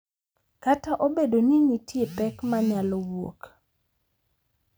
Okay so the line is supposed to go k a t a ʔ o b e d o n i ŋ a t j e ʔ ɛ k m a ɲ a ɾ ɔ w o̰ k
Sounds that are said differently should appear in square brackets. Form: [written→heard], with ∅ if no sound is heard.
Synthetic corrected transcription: k a t a ʔ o b e d o n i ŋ [a→i] t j e [ʔ→p] ɛ k m a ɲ a [ɾ→l] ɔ w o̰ k